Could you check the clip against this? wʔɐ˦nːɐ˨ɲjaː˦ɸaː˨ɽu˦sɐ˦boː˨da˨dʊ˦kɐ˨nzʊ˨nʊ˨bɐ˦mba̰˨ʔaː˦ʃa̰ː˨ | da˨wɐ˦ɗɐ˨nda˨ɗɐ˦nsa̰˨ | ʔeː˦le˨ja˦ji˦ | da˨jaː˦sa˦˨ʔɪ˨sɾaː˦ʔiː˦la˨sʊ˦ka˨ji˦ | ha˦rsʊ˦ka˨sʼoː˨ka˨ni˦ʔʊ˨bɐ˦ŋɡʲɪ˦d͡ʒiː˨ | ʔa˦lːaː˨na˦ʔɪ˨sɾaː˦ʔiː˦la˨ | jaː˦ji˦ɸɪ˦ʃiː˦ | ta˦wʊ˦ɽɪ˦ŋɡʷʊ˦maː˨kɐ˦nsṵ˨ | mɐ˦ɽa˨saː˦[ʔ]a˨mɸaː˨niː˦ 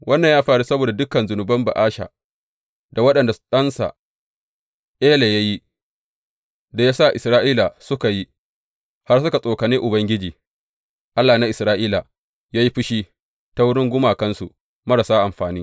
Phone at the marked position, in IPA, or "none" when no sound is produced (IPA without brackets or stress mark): ʔ